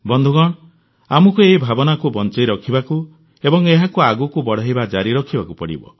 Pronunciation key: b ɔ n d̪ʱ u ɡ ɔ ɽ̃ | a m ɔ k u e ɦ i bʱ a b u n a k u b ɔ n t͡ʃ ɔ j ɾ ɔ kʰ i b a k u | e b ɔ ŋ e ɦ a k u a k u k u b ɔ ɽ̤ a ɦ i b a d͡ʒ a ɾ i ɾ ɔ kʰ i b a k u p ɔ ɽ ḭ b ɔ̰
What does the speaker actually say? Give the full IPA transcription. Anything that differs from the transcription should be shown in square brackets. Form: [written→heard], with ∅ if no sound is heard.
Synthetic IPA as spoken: b ɔ n d̪ʱ u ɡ ɔ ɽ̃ | a m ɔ k u e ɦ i bʱ a b [u→ɔ] n a k u b ɔ n t͡ʃ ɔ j ɾ ɔ kʰ i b a k u | e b ɔ ŋ e ɦ a k u a [k→ɡ] u k u b ɔ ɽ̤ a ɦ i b a d͡ʒ a ɾ i ɾ ɔ kʰ i b a k u p ɔ ɽ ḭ b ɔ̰